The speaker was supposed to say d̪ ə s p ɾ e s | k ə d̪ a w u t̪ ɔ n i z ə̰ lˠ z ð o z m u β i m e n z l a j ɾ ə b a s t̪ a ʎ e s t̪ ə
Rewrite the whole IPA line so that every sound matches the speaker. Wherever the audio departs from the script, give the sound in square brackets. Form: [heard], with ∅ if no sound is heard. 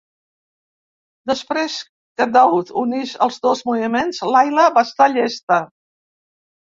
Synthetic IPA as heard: d̪ ə s p ɾ e s | k ə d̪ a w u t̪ [u] n i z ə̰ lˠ z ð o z m u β i m e n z l a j [l] ə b a s t̪ a ʎ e s t̪ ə